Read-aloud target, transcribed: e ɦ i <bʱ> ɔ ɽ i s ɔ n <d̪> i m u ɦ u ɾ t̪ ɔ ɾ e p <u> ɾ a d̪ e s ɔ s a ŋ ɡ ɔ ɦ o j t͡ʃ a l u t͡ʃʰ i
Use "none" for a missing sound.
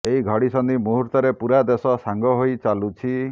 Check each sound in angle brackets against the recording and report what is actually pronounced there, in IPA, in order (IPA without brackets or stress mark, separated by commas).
ɡʱ, d̪, u